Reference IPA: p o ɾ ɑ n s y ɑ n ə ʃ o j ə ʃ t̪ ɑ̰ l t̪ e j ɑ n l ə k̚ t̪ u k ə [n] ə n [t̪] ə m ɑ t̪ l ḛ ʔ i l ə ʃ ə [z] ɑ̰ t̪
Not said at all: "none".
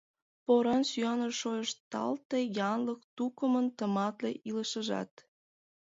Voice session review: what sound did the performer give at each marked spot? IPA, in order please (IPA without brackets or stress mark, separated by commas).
m, t̪, ʒ